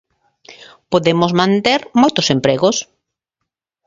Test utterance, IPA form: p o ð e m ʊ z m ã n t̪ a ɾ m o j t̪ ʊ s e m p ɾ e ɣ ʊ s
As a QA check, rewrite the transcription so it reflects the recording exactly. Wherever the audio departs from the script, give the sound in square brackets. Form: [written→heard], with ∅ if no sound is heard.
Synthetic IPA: p o ð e m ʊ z m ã n t̪ [a→e] ɾ m o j t̪ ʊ s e m p ɾ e ɣ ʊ s